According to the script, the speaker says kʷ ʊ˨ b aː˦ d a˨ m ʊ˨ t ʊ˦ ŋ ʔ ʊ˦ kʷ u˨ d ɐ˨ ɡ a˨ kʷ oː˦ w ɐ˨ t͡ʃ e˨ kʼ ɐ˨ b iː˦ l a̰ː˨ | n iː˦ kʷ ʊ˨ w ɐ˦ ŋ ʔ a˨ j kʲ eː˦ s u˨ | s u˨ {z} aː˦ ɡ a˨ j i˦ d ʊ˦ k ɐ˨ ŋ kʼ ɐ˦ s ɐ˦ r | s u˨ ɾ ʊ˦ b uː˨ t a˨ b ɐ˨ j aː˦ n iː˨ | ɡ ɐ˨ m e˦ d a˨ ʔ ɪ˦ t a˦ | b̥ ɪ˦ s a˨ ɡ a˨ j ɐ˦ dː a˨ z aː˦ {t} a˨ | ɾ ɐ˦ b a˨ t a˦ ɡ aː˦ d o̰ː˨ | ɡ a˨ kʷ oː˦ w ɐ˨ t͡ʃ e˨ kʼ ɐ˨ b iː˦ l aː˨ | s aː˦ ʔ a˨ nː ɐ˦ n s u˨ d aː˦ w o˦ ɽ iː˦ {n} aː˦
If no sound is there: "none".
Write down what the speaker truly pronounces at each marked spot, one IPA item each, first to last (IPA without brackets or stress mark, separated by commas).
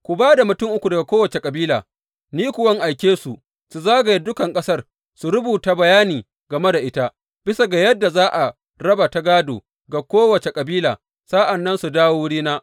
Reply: z, ʔ, n